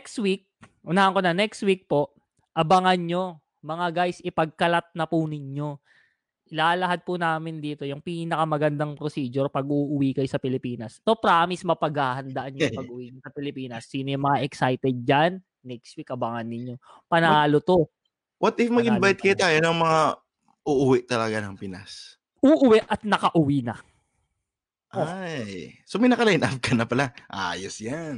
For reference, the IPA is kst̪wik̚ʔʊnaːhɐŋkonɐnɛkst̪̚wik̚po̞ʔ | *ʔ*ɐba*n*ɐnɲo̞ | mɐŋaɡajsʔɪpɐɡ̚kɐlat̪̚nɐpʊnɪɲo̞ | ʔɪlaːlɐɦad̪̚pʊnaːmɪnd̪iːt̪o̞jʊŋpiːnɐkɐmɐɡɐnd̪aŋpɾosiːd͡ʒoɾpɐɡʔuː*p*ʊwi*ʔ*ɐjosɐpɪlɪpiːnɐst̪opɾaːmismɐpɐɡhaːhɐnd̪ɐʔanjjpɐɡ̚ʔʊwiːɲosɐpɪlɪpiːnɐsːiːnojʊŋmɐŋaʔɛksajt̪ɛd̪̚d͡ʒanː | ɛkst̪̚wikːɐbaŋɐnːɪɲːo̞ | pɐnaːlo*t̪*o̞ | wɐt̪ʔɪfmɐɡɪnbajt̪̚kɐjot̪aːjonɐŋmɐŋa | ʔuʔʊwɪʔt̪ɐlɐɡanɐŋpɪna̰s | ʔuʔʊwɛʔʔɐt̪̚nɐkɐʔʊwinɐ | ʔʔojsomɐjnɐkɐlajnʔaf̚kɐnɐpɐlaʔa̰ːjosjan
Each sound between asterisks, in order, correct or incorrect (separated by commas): correct, incorrect, incorrect, incorrect, correct